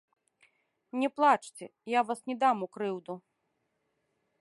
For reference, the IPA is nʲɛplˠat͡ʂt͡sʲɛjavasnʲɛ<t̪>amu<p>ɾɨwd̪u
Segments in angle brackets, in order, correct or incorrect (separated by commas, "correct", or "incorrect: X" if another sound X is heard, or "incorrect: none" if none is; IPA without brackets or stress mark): incorrect: d̪, incorrect: k